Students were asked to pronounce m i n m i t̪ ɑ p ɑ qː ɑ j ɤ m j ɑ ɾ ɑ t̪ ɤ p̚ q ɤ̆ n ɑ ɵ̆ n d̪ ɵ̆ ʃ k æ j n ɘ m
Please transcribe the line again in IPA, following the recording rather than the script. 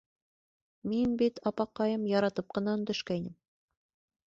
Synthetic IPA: m i n b i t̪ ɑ p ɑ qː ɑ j ɤ m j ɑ ɾ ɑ t̪ ɤ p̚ q ɤ̆ n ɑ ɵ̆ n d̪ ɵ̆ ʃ k æ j n ɘ m